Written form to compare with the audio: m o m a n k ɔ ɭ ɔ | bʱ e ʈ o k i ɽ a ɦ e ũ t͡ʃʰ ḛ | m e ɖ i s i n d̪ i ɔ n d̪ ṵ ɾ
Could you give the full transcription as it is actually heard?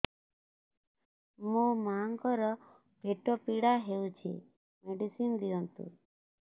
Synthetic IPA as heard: m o m a ŋ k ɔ ɾ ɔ | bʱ e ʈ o p i ɽ a ɦ e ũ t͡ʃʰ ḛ | m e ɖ i s i n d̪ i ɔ n t̪ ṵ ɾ